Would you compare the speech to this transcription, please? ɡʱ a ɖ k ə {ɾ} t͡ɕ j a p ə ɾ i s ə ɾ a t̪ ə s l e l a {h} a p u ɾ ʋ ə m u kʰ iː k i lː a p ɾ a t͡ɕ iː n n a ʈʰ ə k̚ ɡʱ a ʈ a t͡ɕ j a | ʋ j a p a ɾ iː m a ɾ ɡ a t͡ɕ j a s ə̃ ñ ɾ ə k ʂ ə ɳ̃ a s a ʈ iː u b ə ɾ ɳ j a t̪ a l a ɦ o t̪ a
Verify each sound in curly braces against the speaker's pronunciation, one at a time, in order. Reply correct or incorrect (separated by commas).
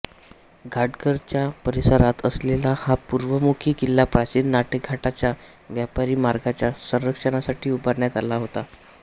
correct, correct